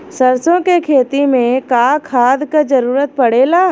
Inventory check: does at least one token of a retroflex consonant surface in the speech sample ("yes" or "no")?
yes